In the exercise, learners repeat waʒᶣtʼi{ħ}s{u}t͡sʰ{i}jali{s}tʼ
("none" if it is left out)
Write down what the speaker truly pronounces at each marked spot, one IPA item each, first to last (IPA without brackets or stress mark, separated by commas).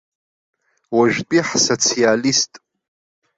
ħ, o, i, s